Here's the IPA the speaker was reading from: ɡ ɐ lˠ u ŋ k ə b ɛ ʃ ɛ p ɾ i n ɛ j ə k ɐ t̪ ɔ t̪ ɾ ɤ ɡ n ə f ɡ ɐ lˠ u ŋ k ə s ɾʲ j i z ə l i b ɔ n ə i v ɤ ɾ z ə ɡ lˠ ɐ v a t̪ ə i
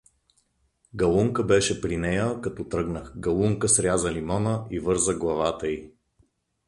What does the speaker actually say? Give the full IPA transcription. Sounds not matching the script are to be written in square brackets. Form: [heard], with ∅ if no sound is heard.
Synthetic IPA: ɡ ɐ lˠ u ŋ k ə b ɛ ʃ ɛ p ɾ i n ɛ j ə k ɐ t̪ ɔ t̪ ɾ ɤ ɡ n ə [x] ɡ ɐ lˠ u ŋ k ə s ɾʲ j [a] z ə l i [m] ɔ n ə i v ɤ ɾ z ə ɡ lˠ ɐ v a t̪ ə i